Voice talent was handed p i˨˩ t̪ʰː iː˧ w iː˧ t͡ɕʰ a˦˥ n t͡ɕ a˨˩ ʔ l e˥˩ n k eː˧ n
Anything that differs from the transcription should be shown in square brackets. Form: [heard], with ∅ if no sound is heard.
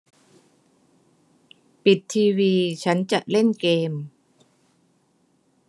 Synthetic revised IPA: p i˨˩ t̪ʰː iː˧ w iː˧ t͡ɕʰ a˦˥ n t͡ɕ a˨˩ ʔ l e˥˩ n k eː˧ [m]